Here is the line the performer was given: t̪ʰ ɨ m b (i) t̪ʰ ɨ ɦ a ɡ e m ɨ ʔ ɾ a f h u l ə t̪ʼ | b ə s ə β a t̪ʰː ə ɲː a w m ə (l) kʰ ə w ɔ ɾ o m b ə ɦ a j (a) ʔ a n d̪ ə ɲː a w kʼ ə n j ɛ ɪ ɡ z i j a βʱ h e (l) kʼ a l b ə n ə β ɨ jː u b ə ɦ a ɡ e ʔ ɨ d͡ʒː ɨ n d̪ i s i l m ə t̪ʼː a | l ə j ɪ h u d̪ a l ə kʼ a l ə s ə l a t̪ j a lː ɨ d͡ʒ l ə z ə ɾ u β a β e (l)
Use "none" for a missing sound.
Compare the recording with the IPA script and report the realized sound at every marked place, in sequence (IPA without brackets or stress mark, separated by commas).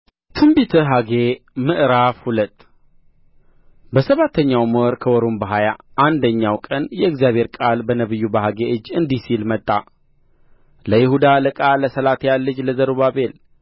i, ɾ, a, ɾ, l